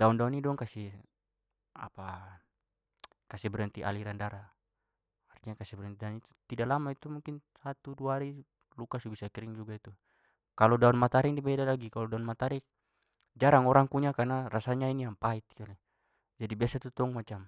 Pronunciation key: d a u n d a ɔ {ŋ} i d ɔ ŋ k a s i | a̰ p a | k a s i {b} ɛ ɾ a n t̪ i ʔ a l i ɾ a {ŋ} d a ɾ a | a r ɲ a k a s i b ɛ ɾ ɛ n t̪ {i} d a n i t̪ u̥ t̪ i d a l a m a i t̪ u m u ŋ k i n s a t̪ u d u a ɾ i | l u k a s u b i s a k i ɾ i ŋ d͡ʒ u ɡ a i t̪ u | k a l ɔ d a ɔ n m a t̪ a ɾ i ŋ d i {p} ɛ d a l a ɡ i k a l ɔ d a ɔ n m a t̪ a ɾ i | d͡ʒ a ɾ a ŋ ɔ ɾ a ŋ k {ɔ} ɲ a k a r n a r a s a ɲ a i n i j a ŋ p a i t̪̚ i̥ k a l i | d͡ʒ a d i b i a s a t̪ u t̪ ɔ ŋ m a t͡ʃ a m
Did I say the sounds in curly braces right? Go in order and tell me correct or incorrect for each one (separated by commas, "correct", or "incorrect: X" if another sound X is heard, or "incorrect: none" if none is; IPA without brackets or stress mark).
incorrect: n, correct, incorrect: n, correct, incorrect: b, incorrect: u